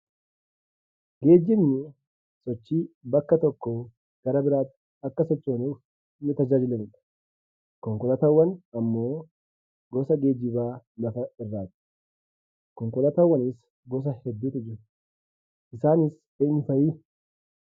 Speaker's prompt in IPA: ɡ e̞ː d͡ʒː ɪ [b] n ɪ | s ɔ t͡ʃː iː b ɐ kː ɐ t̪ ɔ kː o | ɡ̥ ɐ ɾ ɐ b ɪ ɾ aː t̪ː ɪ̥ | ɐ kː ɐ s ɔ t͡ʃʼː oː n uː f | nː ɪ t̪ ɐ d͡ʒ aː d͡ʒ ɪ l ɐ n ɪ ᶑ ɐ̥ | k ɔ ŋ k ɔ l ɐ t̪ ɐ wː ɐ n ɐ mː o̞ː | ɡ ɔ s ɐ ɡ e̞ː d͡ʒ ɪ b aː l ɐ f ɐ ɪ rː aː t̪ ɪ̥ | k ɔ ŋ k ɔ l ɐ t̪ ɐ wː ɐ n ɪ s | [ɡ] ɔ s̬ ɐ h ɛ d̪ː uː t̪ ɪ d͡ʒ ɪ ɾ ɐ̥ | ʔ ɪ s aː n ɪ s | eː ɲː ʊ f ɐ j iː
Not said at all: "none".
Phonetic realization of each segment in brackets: m, ɡ

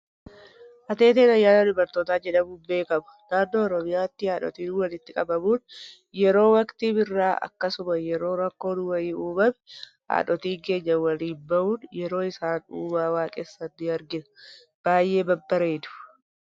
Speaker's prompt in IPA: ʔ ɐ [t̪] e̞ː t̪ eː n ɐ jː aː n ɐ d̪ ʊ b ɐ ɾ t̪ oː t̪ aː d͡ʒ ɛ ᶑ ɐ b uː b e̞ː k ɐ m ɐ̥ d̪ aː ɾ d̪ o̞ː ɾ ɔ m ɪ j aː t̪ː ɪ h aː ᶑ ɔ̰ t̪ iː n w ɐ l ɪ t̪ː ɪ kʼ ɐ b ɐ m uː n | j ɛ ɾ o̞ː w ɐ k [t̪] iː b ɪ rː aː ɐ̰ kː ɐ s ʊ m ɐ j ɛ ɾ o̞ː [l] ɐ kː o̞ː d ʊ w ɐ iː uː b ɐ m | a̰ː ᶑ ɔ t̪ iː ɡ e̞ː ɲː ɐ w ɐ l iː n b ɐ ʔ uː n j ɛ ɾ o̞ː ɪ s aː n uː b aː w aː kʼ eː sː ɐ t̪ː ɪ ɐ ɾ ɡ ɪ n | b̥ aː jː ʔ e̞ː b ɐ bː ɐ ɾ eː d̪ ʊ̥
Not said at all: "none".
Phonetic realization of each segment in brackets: t̪, t̪, ɾ

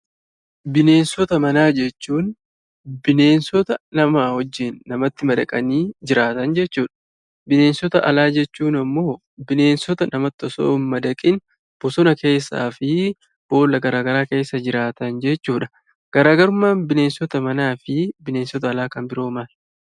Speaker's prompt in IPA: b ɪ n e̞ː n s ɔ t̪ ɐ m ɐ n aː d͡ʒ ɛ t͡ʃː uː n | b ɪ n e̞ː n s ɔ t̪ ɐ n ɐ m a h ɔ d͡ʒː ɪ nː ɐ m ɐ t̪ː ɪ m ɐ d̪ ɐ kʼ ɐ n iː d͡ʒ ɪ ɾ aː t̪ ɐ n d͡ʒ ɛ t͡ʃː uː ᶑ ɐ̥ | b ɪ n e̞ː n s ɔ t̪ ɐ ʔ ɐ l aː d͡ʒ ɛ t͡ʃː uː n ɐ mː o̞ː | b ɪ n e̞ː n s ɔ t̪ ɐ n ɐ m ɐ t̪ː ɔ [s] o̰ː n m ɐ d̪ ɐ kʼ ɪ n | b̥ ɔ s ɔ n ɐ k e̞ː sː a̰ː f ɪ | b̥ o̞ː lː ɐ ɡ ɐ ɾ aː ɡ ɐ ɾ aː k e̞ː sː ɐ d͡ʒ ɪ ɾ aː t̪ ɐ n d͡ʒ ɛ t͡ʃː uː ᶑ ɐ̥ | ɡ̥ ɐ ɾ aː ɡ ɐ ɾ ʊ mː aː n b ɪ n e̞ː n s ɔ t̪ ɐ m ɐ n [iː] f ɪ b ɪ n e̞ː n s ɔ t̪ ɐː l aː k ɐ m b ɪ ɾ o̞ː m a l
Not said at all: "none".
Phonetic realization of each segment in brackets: s, aː

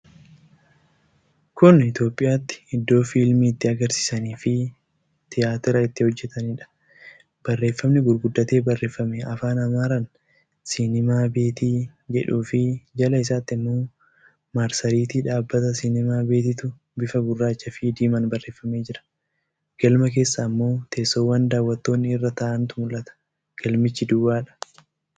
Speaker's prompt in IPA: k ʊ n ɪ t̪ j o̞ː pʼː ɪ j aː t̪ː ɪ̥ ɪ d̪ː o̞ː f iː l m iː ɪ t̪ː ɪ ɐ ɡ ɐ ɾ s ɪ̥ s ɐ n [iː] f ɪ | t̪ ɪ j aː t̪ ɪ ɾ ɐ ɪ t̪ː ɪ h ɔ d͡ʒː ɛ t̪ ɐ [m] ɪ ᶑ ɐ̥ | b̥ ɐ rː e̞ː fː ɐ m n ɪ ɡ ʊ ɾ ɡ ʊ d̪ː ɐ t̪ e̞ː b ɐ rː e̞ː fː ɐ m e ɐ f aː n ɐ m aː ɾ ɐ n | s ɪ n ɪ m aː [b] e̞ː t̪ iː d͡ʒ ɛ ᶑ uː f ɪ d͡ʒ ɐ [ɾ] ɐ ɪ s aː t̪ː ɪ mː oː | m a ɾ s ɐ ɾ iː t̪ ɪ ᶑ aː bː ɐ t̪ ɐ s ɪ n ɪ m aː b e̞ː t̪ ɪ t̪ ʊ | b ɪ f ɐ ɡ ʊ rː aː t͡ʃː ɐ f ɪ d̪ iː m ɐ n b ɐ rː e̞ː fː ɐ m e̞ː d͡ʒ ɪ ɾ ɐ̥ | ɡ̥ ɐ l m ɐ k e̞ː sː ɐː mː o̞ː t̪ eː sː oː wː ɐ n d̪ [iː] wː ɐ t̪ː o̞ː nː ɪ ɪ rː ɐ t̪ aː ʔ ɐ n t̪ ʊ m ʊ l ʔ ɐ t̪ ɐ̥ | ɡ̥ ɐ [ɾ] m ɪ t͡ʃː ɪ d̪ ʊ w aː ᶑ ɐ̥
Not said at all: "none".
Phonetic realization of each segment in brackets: iː, n, b, l, aː, l

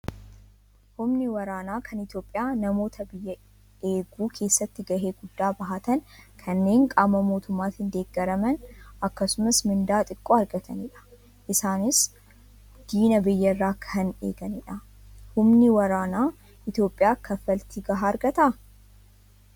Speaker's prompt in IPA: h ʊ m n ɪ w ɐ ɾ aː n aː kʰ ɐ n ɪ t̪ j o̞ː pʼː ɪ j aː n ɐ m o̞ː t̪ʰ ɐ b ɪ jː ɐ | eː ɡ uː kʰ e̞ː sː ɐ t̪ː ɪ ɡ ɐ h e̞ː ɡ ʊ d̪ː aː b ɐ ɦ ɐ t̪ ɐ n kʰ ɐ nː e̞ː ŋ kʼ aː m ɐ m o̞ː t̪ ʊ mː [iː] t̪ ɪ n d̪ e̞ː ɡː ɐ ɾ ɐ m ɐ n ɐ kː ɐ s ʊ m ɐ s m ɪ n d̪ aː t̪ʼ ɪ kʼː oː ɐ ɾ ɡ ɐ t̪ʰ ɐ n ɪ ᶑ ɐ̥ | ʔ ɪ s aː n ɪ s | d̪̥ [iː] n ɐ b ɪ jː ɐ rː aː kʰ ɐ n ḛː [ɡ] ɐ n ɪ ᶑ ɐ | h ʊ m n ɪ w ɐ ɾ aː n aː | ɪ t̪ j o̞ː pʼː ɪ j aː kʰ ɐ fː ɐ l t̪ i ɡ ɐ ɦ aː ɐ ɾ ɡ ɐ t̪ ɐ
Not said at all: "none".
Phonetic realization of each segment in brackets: aː, iː, ɡ

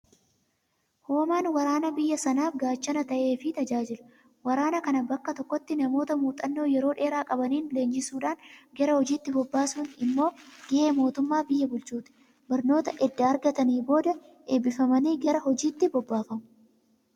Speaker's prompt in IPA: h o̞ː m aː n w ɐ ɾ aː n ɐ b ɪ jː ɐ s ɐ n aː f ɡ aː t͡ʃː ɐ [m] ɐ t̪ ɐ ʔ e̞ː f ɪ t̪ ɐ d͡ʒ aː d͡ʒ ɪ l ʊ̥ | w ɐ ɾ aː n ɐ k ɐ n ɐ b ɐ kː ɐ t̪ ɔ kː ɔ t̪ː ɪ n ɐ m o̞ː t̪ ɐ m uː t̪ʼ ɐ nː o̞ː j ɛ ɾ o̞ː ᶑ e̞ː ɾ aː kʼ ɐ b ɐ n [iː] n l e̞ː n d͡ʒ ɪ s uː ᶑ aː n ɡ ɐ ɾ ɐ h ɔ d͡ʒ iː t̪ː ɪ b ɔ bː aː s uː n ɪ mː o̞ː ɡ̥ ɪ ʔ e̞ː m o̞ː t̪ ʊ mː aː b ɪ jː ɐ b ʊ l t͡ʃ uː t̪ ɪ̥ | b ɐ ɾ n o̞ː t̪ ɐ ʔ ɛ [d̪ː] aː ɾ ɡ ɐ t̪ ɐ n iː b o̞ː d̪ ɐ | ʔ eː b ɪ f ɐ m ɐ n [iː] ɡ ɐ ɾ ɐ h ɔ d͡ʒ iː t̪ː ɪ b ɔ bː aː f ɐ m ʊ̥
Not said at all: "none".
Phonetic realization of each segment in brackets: n, iː, d̪ː, iː

